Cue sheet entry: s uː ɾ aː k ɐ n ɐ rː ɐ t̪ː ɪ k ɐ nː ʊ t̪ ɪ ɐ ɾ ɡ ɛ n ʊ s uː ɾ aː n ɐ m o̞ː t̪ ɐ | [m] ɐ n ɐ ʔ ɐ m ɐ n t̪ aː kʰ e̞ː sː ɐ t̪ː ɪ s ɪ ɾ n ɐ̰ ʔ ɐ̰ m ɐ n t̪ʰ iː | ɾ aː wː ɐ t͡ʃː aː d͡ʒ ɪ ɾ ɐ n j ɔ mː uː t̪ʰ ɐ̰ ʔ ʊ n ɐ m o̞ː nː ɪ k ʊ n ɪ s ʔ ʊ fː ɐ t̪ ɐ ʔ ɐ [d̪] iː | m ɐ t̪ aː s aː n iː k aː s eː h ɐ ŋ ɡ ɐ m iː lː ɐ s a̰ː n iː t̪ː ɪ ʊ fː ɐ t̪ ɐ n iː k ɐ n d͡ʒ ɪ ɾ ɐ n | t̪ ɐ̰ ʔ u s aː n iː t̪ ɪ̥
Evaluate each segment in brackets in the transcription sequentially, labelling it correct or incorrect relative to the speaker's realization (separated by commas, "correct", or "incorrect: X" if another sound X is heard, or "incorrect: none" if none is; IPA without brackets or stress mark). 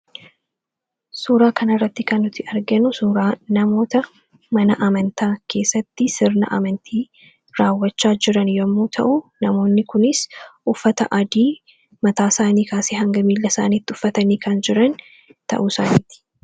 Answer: correct, correct